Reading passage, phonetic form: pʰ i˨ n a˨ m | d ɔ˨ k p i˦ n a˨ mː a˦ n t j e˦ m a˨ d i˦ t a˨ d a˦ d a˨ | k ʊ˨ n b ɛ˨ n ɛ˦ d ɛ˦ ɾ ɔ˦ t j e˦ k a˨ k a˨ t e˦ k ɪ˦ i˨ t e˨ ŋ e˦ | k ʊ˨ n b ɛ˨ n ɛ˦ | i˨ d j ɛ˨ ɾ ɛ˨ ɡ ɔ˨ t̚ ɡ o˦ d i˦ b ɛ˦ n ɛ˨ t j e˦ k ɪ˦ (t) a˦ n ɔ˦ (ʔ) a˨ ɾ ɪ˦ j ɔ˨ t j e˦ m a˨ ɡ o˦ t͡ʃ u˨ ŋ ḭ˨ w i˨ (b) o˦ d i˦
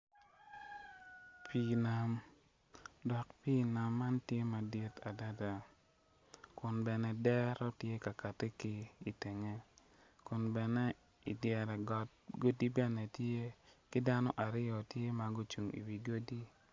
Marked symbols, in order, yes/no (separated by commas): no, yes, no